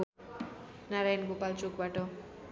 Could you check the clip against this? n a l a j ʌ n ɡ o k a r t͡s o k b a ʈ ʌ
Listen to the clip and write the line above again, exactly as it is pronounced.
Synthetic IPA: n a ɾ a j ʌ n ɡ o p a l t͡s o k b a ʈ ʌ